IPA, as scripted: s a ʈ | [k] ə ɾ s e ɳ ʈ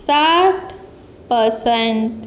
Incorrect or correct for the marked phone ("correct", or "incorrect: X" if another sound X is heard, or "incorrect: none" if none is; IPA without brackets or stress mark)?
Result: incorrect: p